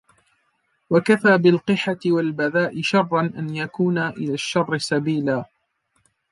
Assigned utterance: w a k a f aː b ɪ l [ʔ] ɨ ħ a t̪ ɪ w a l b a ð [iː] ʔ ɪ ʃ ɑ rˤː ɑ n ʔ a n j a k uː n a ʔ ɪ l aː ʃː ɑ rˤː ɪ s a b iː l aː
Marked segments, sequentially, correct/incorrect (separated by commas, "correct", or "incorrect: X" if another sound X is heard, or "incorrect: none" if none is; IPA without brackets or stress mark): incorrect: q, incorrect: aː